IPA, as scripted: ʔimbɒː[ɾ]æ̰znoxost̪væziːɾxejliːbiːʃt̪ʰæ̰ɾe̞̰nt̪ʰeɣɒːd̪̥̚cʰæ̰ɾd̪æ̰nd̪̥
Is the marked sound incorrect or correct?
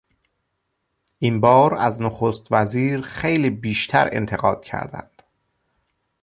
correct